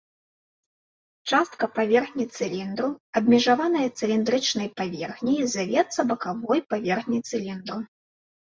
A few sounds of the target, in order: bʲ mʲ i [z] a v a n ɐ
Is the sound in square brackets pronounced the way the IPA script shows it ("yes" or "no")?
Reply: no